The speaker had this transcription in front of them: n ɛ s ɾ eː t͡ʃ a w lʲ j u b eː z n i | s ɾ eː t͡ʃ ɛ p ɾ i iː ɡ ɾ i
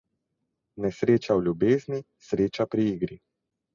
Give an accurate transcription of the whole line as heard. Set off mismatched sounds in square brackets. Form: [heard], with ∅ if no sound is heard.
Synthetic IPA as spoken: n ɛ s ɾ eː t͡ʃ a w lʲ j u b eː z n i | s ɾ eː t͡ʃ [a] p ɾ i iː ɡ ɾ i